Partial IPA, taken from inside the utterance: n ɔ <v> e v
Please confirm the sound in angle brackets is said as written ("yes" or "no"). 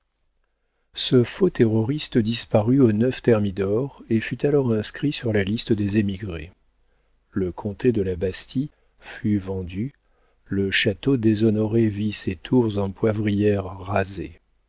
no